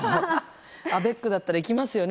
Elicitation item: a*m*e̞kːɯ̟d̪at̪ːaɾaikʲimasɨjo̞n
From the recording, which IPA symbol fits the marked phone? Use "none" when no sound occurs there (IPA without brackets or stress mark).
b